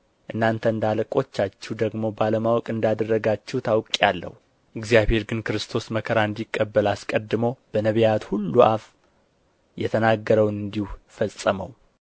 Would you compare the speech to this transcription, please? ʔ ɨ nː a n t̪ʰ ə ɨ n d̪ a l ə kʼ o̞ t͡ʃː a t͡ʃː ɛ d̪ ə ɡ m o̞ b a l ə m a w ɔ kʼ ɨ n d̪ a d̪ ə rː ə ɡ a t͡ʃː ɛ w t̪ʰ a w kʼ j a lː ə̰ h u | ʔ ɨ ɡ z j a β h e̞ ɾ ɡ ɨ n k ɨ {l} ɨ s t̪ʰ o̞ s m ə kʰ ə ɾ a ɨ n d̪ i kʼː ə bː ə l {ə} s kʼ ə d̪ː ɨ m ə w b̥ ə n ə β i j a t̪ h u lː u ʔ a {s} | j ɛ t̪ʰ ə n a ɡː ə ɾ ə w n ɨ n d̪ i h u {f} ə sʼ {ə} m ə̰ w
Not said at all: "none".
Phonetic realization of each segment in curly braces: ɾ, a, f, f, ə

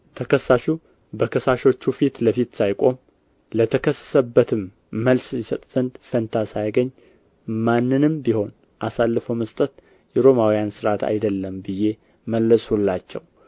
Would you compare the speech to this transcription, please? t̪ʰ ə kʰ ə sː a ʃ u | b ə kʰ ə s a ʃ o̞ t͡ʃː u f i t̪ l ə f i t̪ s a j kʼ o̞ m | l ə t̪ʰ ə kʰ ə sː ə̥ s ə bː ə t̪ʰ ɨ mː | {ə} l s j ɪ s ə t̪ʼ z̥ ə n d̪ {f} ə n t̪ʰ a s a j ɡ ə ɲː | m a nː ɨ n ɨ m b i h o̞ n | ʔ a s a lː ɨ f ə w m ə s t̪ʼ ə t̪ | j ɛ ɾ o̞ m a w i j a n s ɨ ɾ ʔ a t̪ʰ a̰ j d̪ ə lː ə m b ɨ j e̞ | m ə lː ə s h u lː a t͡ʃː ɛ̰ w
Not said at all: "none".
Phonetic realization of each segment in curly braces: ə, f

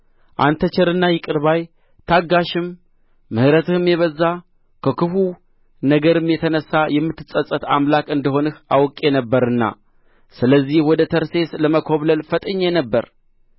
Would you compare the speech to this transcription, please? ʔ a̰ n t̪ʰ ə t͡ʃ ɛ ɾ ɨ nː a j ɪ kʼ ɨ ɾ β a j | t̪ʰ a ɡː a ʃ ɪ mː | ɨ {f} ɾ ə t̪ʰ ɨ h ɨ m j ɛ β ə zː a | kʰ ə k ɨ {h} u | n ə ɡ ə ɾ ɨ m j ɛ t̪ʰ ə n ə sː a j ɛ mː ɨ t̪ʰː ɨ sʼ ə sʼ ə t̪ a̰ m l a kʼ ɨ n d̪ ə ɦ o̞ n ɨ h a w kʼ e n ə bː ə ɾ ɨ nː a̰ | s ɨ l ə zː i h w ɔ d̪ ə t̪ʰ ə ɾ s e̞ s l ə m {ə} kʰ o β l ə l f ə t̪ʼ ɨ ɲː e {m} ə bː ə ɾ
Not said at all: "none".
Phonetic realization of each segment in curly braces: h, f, ə, n

